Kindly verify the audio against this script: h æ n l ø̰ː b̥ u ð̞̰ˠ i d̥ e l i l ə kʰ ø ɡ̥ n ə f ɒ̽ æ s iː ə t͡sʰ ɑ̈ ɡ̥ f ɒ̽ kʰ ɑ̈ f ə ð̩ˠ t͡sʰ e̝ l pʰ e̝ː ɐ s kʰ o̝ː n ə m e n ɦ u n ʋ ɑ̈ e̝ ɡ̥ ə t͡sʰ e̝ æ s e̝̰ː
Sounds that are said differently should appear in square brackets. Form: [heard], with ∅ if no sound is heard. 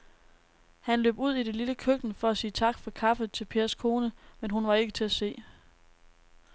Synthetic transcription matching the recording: h æ n l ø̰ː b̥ u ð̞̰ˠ i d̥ e l i l ə kʰ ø ɡ̥ n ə f ɒ̽ æ s iː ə t͡sʰ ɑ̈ ɡ̥ f ɒ̽ kʰ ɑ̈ f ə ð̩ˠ t͡sʰ e̝ l pʰ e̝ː ɐ s kʰ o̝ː n ə m e n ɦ u n ʋ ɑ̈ e̝ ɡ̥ ə t͡sʰ e̝ æ s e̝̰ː